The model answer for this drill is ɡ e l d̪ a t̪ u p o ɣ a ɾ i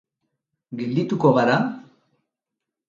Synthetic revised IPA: ɡ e l d̪ i t̪ u k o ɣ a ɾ a